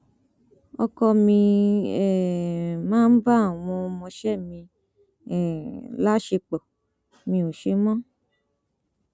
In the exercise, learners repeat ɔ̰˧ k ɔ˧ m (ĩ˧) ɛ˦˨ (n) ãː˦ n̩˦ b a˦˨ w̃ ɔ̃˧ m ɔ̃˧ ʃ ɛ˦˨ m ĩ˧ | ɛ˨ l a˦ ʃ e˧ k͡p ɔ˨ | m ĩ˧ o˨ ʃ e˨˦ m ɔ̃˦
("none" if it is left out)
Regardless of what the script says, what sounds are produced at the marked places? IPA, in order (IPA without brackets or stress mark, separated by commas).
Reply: ĩ˧, m